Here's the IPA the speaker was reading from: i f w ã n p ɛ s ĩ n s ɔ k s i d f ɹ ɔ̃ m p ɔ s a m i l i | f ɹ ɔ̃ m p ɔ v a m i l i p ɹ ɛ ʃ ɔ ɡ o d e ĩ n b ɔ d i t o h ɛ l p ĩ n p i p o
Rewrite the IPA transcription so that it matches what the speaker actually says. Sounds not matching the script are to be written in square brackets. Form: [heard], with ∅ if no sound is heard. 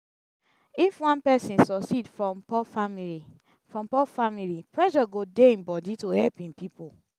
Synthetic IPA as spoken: i f w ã n p ɛ s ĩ n s ɔ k s i d f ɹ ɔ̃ m p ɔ [f] a m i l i | f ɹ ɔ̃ m p ɔ [f] a m i l i p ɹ ɛ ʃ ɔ ɡ o d e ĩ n b ɔ d i t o h ɛ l p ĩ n p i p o